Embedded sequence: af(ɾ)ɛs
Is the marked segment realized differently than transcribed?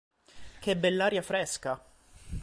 no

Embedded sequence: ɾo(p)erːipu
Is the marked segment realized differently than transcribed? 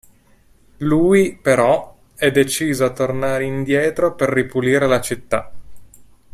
no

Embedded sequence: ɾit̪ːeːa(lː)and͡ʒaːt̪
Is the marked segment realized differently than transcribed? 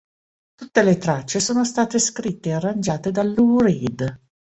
yes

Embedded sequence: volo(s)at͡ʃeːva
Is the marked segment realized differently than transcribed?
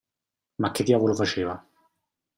yes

